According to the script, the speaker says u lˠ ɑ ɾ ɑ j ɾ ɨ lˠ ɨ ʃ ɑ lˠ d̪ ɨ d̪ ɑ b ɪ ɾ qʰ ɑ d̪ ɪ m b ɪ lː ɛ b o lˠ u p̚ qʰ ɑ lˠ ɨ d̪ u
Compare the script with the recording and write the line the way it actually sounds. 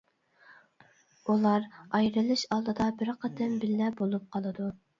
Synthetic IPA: u lˠ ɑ ɾ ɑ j ɾ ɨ lˠ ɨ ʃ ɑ lˠ d̪ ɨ d̪ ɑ b ɪ ɾ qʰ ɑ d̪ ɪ m b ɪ lː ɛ b o lˠ u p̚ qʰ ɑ lˠ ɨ d̪ u